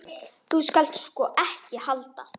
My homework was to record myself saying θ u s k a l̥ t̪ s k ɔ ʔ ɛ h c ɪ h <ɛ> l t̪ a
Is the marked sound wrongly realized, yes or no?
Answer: yes